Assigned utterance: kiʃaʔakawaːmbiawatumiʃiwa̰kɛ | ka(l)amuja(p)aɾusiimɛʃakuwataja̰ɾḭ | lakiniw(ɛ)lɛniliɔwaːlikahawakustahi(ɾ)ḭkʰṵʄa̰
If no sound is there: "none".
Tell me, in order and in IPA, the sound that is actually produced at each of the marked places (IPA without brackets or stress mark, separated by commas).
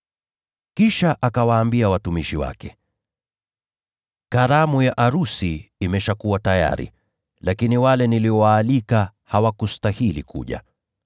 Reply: ɾ, ʔ, a, l